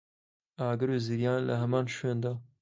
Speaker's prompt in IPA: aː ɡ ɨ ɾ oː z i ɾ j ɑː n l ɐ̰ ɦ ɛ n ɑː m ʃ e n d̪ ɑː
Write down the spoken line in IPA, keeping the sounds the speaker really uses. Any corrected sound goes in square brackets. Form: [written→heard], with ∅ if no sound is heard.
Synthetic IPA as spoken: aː ɡ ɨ ɾ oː z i ɾ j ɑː n l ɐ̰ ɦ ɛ [n→m] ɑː [m→n] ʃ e n d̪ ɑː